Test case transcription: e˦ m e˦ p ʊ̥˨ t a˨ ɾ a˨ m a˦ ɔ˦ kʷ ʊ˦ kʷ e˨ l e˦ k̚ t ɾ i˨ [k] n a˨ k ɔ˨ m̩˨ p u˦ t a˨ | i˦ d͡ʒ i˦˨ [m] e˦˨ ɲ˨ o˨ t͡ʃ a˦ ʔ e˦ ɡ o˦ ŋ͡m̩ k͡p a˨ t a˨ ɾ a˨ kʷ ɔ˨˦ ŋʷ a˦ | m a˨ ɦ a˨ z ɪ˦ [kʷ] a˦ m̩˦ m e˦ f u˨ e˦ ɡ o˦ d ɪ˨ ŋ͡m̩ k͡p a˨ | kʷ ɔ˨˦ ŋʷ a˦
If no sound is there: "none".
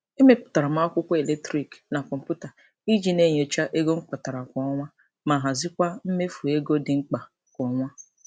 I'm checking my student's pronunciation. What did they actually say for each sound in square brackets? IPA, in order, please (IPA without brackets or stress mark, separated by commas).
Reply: k, n, kʷ